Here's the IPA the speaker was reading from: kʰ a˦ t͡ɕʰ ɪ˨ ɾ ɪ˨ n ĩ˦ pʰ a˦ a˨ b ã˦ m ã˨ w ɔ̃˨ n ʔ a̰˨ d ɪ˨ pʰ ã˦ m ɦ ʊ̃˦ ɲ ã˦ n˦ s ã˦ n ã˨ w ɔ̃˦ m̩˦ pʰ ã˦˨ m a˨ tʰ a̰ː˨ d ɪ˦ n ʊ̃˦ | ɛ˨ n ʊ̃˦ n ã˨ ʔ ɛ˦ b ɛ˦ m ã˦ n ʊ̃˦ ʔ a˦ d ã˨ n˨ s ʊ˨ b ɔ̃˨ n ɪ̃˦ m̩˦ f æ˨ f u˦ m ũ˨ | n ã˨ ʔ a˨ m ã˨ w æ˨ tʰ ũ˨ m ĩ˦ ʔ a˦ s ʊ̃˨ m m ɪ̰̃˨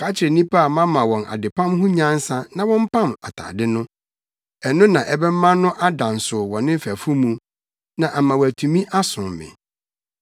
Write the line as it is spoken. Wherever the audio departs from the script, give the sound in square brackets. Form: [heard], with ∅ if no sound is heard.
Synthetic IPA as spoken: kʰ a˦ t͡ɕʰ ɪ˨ ɾ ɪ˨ n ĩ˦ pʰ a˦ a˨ [m] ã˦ m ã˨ w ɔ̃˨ n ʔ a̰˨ d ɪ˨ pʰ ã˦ m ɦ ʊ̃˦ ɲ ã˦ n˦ s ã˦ n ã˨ w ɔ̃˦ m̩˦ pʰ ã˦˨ m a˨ tʰ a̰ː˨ d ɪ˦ n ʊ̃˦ | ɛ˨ n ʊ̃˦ n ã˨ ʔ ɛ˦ b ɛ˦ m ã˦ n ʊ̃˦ ʔ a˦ d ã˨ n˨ s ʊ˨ [w] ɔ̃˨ n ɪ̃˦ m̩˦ f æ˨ f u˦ m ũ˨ | n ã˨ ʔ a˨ m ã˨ w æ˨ tʰ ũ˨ m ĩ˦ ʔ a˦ s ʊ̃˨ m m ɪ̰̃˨